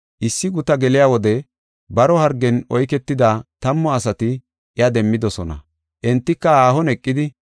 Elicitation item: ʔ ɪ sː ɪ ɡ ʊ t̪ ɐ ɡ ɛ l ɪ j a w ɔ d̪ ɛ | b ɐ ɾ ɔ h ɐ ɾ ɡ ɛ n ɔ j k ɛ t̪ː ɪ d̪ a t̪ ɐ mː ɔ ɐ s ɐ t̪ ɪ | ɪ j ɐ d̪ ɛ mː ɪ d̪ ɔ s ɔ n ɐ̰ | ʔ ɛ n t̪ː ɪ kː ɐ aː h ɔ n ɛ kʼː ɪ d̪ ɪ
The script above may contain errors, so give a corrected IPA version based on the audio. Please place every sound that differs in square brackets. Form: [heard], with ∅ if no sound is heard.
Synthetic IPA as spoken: ʔ ɪ sː ɪ ɡ ʊ t̪ ɐ ɡ ɛ l ɪ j a w ɔ d̪ ɛ | b ɐ ɾ ɔ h ɐ ɾ ɡ ɛ n ɔ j k ɛ t̪ː ɪ d̪ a t̪ ɐ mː ɔ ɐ s ɐ t̪ ɪ | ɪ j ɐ d̪ ɛ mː ɪ d̪ ɔ s ɔ n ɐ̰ | ʔ ɛ n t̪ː ɪ kː ɐ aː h ɔ n ɛ kʼː ɪ d̪ ɪ

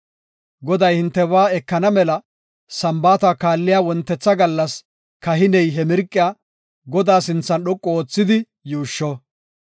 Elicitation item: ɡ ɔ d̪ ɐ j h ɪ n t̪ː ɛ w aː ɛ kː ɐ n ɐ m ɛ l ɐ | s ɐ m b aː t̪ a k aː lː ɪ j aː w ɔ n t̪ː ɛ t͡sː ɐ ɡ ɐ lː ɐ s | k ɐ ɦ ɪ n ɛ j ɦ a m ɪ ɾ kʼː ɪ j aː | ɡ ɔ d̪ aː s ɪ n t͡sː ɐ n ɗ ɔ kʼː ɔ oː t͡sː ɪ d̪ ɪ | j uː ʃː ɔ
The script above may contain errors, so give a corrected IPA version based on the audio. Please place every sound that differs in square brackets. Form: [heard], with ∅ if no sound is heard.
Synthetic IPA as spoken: ɡ ɔ d̪ ɐ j h ɪ n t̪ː ɛ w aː ɛ kː ɐ n ɐ m ɛ l ɐ | s ɐ m b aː t̪ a k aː lː ɪ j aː w ɔ n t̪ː ɛ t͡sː ɐ ɡ ɐ lː ɐ s | k ɐ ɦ ɪ n ɛ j ɦ [ɛ] m ɪ ɾ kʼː ɪ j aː | ɡ ɔ d̪ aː s ɪ n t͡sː ɐ n ɗ ɔ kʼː ɔ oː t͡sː ɪ d̪ ɪ | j uː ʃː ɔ

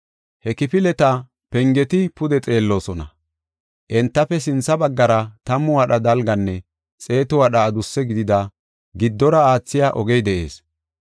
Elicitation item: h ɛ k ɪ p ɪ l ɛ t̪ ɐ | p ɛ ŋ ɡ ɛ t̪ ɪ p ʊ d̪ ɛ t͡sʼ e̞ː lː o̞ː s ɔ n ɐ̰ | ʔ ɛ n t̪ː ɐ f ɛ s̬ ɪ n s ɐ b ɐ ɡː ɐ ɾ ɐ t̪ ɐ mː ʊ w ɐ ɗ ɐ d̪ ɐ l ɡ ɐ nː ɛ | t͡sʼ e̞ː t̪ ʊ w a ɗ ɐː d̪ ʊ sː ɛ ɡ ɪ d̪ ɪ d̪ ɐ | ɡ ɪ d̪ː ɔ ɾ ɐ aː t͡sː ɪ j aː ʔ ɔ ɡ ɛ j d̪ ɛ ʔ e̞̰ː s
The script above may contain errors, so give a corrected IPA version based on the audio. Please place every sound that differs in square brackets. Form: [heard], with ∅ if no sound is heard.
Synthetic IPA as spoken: h ɛ k ɪ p ɪ l ɛ t̪ ɐ | p ɛ ŋ ɡ ɛ t̪ ɪ p ʊ d̪ ɛ t͡sʼ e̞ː lː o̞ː s ɔ n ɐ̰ | ʔ ɛ n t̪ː ɐ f ɛ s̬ ɪ n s ɐ b ɐ ɡː ɐ ɾ ɐ t̪ ɐ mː ʊ w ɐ ɗ ɐ d̪ ɐ l ɡ ɐ nː ɛ | t͡sʼ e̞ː t̪ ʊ w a ɗ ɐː d̪ ʊ sː ɛ ɡ ɪ d̪ ɪ d̪ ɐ | ɡ ɪ d̪ː ɔ ɾ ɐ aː t͡sː ɪ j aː ʔ ɔ ɡ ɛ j d̪ ɛ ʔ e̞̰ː s

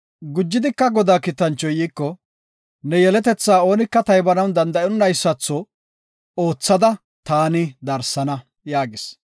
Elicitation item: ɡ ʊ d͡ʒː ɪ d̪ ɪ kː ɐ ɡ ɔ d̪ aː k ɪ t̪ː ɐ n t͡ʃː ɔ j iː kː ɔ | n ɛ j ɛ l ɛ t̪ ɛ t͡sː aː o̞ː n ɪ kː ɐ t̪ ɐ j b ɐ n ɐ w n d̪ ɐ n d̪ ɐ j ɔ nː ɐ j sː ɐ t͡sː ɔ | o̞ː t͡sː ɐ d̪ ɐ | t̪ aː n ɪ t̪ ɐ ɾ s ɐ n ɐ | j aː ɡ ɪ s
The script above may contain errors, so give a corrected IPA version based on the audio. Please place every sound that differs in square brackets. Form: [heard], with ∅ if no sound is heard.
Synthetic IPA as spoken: ɡ ʊ d͡ʒː ɪ d̪ ɪ kː ɐ ɡ ɔ d̪ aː k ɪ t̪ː ɐ n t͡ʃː ɔ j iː kː ɔ | n ɛ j ɛ l ɛ t̪ ɛ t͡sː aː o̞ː n ɪ kː ɐ t̪ ɐ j b ɐ n ɐ w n d̪ ɐ n d̪ ɐ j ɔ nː ɐ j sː ɐ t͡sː ɔ | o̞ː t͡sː ɐ d̪ ɐ | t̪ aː n ɪ [d̪] ɐ ɾ s ɐ n ɐ | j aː ɡ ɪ s

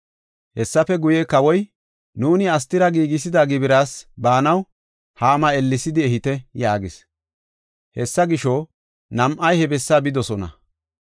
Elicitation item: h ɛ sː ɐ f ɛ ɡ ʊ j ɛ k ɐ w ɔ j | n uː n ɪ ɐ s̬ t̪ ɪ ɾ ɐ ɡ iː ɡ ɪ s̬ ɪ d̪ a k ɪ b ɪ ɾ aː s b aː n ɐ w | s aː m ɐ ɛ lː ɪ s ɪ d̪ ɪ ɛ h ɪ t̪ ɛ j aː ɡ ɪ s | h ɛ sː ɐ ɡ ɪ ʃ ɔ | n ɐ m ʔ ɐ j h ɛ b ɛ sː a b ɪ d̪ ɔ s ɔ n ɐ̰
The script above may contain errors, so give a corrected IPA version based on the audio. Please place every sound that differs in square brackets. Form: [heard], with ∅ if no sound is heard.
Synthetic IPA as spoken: h ɛ sː ɐ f ɛ ɡ ʊ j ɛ k ɐ w ɔ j | n uː n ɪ ɐ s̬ t̪ ɪ ɾ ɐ ɡ iː ɡ ɪ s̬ ɪ d̪ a [ɡ] ɪ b ɪ ɾ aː s b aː n ɐ w | [h] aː m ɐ ɛ lː ɪ s ɪ d̪ ɪ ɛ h ɪ t̪ ɛ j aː ɡ ɪ s | h ɛ sː ɐ ɡ ɪ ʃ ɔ | n ɐ m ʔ ɐ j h ɛ b ɛ sː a b ɪ d̪ ɔ s ɔ n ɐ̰

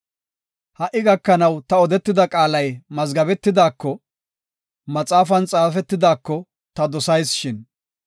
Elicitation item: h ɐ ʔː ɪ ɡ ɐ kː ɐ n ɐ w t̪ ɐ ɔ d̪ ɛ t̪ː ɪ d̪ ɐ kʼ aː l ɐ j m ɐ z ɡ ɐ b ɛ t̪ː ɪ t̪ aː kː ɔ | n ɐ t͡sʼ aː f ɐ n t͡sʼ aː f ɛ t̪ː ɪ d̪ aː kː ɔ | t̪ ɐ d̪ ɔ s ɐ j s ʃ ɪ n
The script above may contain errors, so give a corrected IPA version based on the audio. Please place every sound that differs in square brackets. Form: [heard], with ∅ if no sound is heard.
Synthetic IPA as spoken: h ɐ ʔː ɪ ɡ ɐ kː ɐ n ɐ w t̪ ɐ ɔ d̪ ɛ t̪ː ɪ d̪ ɐ kʼ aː l ɐ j m ɐ z ɡ ɐ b ɛ t̪ː ɪ [d̪] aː kː ɔ | [m] ɐ t͡sʼ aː f ɐ n t͡sʼ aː f ɛ t̪ː ɪ d̪ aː kː ɔ | t̪ ɐ d̪ ɔ s ɐ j s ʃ ɪ n

